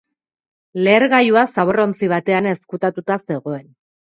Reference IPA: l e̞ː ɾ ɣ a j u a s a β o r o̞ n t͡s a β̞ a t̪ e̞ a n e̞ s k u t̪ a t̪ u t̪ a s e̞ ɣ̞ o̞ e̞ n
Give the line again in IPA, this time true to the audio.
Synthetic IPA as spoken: l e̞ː ɾ ɣ a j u a s a β o r o̞ n t͡s i β̞ a t̪ e̞ a n e̞ s k u t̪ a t̪ u t̪ a s e̞ ɣ̞ o̞ e̞ n